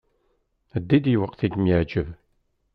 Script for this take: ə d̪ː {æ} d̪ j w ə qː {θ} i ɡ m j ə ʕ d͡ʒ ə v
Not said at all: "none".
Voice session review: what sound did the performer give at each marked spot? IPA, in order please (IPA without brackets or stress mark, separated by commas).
i, θ